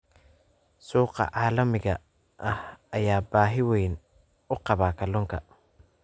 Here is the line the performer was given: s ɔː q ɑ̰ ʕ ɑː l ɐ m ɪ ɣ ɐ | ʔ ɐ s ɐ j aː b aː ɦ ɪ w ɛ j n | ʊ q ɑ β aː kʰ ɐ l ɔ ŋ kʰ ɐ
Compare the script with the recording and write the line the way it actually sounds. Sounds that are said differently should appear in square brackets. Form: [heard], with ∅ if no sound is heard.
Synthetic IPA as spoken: s [uː] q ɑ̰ ʕ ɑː l ɐ m ɪ ɣ ɐ | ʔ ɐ [h] ɐ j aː b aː ɦ ɪ w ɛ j n | ʊ q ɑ β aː kʰ ɐ l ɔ ŋ kʰ ɐ